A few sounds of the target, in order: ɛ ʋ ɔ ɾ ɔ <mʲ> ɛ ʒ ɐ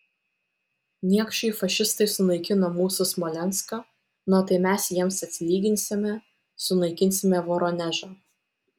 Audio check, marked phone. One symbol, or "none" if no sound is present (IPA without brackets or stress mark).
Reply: nʲ